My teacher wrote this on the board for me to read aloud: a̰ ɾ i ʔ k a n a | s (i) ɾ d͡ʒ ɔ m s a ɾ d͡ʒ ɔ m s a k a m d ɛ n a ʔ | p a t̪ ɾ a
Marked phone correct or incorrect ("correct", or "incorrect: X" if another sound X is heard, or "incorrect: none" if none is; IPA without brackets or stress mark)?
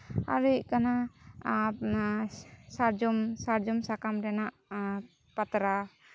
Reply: incorrect: a